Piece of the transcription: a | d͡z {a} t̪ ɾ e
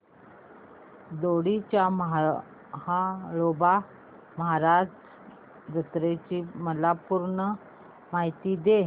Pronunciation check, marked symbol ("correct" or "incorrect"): incorrect